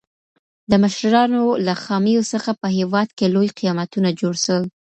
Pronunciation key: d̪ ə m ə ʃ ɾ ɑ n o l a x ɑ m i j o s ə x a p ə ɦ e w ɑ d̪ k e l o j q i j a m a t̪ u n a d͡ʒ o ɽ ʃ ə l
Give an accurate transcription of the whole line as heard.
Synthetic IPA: d̪ ə m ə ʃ ɾ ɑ n o l a x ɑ m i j o s ə x a p ə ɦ e w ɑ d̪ k e l o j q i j ɑ m a t̪ u n a d͡ʒ o ɽ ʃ ə l